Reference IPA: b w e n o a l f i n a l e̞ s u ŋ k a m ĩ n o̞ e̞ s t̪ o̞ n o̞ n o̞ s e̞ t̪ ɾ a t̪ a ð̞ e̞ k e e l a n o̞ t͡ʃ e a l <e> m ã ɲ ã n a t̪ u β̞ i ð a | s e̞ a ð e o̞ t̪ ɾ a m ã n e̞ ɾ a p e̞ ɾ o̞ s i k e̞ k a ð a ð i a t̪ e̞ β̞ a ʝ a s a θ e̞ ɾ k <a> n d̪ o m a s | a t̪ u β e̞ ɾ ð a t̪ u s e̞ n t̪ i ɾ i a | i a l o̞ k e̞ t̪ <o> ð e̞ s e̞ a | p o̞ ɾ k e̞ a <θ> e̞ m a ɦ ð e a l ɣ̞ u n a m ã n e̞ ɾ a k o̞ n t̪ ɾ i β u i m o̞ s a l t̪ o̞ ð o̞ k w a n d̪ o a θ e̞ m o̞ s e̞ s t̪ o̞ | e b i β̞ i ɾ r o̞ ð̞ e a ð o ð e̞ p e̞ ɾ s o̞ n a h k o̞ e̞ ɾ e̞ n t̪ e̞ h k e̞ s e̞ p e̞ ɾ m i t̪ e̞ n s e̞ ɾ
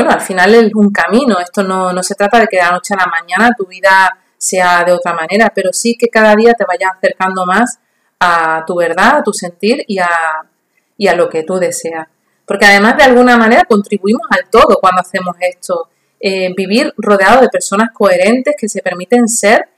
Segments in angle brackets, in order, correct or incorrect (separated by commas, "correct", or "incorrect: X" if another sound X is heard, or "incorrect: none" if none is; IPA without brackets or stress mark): incorrect: a, correct, incorrect: u, incorrect: ð